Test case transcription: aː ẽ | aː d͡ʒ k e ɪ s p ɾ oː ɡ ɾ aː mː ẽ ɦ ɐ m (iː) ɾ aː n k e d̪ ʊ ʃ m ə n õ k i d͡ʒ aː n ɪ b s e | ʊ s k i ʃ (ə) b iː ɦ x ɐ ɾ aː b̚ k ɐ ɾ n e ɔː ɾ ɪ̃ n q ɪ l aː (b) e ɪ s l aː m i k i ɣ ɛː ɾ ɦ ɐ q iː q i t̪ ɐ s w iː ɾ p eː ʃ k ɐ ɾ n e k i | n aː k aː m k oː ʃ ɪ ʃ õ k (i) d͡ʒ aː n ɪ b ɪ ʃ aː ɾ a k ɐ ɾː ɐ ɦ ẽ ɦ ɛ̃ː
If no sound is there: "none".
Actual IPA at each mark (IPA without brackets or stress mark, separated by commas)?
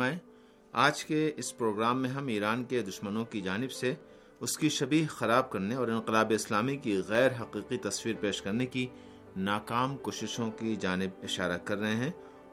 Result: iː, ɐ, b, i